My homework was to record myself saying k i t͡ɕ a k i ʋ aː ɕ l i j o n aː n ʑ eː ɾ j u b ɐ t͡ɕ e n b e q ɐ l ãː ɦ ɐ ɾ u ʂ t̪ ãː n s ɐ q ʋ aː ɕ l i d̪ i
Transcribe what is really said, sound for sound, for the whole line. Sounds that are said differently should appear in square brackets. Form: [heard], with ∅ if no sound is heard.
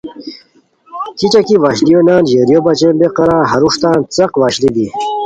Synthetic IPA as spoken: k i t͡ɕ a k i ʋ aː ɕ l i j o n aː n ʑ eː ɾ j [o] b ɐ t͡ɕ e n b e q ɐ [ɾ] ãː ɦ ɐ ɾ u ʂ t̪ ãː n [t͡s] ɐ q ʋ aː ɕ l i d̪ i